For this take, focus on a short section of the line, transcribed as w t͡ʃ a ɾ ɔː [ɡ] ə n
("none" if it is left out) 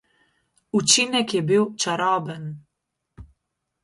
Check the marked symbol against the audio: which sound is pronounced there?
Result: b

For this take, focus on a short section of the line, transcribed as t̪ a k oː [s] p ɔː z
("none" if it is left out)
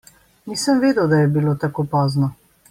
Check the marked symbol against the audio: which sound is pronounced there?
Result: none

